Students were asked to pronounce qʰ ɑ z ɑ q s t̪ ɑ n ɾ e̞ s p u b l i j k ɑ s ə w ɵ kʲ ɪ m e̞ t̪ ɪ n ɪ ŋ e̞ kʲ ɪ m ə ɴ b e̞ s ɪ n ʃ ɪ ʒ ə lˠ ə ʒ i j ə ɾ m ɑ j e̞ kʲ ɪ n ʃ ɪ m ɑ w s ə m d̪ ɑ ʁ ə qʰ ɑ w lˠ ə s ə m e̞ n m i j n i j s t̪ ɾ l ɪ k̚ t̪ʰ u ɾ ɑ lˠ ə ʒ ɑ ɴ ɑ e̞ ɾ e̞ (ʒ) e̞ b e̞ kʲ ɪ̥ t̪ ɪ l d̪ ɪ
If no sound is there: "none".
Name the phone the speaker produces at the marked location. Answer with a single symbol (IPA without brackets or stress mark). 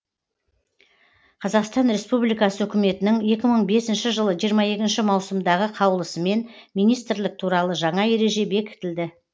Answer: ʒ